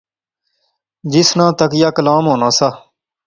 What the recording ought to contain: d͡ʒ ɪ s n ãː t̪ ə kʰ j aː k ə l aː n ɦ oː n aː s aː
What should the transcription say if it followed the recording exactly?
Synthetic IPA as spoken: d͡ʒ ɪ s n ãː t̪ ə k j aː k ə l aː m ɦ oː n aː s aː